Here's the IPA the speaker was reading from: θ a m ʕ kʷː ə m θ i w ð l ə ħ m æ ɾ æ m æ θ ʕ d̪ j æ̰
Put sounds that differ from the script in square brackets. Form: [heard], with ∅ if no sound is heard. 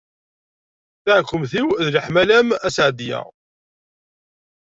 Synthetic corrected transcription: θ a [∅] ʕ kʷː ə m θ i w ð l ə ħ m æ [l] æ m æ [s] ʕ d̪ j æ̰